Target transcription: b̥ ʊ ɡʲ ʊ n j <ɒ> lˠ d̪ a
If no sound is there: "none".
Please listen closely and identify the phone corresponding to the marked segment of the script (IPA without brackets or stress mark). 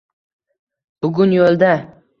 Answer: o